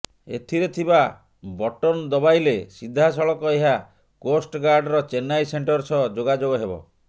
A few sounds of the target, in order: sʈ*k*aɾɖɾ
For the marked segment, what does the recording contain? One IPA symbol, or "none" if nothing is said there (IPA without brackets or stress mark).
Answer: ɡ